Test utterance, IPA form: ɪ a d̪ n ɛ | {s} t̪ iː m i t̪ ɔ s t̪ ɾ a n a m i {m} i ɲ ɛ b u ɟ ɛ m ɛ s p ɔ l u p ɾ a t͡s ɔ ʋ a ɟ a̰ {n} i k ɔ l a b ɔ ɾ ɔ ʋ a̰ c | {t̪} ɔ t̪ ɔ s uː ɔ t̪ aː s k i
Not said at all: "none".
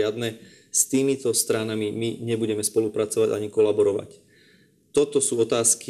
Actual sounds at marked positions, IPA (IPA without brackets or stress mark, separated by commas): s, m, ɲ, t̪